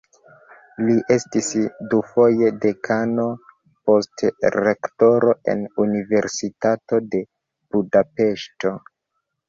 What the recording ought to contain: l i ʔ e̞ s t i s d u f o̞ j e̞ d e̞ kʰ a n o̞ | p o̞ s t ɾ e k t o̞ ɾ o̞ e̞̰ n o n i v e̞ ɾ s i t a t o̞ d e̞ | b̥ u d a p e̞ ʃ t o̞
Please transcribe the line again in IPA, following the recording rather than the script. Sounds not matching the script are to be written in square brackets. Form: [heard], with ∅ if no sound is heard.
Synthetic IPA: l i ʔ e̞ s t i s d u f o̞ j e̞ d e̞ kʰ a n o̞ | p o̞ s t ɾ e k t o̞ ɾ o̞ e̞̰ n [u] n i v e̞ ɾ s i t a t o̞ d e̞ | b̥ u d a p e̞ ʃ t o̞